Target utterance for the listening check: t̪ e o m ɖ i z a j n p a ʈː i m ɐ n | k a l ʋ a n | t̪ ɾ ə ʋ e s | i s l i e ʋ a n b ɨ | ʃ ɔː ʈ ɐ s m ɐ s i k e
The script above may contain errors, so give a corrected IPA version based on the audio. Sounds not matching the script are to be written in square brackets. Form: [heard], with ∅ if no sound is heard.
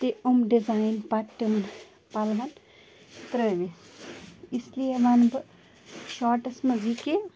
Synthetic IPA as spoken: t̪ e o m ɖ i z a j n p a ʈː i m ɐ n | [p] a l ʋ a n | t̪ ɾ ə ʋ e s | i s l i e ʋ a n b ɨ | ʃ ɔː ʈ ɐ s m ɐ [z] i k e